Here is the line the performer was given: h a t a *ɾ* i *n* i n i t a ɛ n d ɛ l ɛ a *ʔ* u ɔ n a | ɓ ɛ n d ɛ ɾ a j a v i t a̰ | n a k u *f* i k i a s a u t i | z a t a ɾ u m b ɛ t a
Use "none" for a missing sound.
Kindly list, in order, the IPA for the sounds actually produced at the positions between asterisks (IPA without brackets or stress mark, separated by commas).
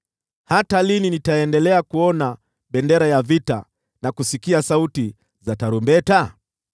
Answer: l, n, k, s